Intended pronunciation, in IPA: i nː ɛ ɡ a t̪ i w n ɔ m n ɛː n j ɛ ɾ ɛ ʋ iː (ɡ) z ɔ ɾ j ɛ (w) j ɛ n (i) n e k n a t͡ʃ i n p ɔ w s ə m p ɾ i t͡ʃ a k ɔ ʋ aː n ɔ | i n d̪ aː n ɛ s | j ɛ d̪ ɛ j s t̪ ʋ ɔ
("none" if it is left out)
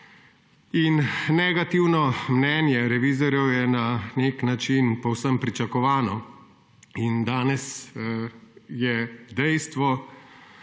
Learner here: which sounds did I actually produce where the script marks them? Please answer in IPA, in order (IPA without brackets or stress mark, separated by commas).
none, w, a